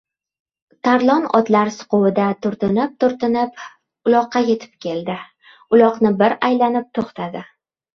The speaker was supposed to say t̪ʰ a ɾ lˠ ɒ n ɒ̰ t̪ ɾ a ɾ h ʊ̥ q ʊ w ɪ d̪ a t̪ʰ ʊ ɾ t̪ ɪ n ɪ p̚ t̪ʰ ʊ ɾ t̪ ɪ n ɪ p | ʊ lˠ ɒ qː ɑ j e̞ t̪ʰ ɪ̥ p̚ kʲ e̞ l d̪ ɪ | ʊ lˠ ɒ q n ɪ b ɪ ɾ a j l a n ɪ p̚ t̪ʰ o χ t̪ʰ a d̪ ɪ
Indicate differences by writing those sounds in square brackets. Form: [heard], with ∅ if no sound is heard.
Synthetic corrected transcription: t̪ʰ a ɾ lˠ ɒ n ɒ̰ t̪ [l] a ɾ [s] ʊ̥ q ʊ w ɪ d̪ a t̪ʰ ʊ ɾ t̪ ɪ n ɪ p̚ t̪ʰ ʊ ɾ t̪ ɪ n ɪ p | ʊ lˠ ɒ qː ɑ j e̞ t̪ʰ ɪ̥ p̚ kʲ e̞ l d̪ ɪ | ʊ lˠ ɒ q n ɪ b ɪ ɾ a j l a n ɪ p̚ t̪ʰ o χ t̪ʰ a d̪ ɪ